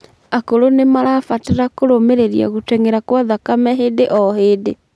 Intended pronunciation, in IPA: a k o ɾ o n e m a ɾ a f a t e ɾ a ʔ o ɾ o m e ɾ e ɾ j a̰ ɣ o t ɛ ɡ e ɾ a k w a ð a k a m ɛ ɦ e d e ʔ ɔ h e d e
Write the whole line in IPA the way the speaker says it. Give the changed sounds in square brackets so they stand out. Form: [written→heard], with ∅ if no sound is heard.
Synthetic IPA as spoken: a k o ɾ o n e m a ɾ a f a t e ɾ a [ʔ→k] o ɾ o m e ɾ e ɾ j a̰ ɣ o t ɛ [ɡ→ŋ] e ɾ a k w a ð a k a m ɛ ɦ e d e ʔ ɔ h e d e